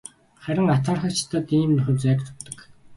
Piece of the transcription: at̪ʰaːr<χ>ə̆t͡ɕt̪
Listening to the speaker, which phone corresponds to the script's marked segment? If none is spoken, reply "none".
χ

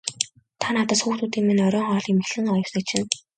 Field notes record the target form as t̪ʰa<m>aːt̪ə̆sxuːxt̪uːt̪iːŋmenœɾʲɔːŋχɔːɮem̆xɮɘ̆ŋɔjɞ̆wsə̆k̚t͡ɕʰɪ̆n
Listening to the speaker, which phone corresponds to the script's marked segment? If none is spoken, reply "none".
n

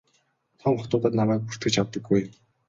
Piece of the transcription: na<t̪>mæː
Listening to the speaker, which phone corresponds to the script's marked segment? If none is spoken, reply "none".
none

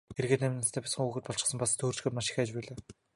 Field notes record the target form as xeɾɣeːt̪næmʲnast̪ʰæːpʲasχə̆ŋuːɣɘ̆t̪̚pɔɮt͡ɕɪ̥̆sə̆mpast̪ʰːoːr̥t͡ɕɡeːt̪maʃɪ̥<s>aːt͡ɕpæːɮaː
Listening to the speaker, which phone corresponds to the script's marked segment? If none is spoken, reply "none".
x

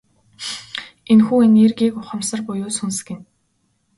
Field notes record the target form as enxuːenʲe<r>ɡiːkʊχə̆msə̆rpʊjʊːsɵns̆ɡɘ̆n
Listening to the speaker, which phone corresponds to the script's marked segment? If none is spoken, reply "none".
r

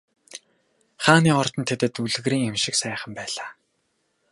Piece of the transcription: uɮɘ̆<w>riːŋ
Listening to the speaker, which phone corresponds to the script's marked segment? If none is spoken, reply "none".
ɣ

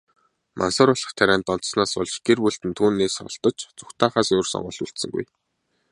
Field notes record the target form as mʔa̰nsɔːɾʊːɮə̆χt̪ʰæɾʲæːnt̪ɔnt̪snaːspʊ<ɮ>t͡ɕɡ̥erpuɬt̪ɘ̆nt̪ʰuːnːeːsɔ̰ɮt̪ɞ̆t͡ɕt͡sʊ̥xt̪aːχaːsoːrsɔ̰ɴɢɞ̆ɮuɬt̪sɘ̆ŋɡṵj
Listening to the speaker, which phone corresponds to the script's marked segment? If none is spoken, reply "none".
ɮ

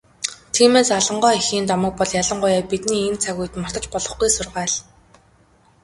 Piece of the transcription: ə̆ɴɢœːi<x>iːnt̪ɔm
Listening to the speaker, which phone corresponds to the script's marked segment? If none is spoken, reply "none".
x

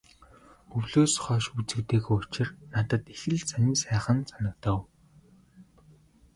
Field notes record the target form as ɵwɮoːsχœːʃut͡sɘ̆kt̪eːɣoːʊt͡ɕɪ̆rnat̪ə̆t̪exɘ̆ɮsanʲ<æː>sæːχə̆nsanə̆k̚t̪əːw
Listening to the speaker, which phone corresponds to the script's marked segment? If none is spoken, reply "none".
iː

